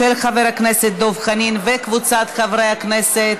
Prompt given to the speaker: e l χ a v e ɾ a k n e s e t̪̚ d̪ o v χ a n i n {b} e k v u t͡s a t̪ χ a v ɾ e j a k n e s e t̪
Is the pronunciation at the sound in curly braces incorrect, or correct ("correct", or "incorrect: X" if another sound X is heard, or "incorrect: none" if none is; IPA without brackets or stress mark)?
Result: incorrect: v